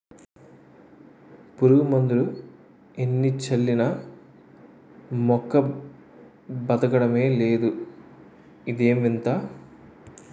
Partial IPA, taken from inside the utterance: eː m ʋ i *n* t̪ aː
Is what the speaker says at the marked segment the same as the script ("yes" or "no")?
yes